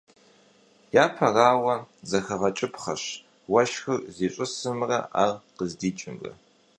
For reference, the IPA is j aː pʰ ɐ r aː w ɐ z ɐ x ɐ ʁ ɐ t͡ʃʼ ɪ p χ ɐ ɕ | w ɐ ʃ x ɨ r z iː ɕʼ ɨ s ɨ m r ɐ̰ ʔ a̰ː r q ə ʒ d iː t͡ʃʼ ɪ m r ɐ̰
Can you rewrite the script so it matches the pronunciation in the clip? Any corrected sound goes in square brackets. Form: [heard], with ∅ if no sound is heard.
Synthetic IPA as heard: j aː pʰ ɐ r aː w ɐ z ɐ x ɐ ʁ ɐ t͡ʃʼ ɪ p χ ɐ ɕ | w ɐ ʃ x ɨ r z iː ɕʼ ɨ s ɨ m r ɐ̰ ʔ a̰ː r q ə [z] d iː t͡ʃʼ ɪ m r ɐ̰